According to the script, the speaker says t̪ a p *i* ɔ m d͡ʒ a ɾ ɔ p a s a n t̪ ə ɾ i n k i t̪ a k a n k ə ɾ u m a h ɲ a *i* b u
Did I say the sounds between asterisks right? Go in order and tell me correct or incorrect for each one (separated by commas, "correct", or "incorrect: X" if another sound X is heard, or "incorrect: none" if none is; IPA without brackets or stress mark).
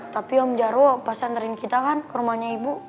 correct, correct